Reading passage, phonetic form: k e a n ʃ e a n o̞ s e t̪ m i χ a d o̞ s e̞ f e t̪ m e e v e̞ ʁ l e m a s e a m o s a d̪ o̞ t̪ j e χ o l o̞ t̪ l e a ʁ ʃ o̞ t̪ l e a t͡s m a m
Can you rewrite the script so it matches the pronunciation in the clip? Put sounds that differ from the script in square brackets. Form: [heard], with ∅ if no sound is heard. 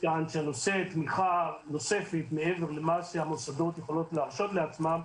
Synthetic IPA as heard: k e a n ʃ e a n o̞ s e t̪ m i χ a [n] o̞ s e̞ f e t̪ m e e v e̞ ʁ l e m a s e a m o s a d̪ o̞ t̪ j e χ o l o̞ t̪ l e a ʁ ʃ o̞ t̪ l e a t͡s m a m